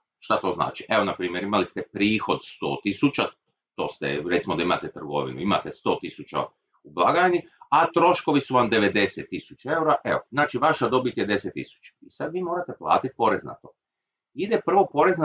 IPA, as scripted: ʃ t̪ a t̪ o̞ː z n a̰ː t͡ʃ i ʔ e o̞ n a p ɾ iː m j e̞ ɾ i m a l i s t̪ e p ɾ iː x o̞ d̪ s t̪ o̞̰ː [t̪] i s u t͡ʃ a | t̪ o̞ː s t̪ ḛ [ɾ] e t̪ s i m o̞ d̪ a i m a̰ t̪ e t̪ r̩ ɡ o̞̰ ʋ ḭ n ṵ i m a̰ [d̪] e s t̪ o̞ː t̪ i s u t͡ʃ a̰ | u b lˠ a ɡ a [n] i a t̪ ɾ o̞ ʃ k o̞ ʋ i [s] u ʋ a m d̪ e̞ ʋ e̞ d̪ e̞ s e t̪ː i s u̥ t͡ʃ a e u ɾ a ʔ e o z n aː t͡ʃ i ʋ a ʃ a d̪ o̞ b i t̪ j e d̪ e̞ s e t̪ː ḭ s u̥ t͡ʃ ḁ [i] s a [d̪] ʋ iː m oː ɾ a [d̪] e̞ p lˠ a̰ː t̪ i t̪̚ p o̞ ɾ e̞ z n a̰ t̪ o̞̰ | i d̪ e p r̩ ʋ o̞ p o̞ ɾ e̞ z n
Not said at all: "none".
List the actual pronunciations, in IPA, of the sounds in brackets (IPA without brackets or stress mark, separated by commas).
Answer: t̪, ɾ, t̪, n, s, i, d̪, t̪